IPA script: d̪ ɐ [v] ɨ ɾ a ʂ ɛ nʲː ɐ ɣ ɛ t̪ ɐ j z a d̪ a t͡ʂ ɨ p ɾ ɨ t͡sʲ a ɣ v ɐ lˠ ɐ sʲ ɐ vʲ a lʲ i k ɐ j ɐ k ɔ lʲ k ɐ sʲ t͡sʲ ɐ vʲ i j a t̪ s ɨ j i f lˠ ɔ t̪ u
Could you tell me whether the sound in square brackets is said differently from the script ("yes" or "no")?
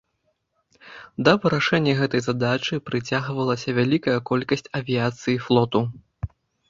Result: no